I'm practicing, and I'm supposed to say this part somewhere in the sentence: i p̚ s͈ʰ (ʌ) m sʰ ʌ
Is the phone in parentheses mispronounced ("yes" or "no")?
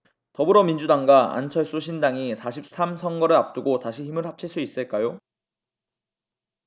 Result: yes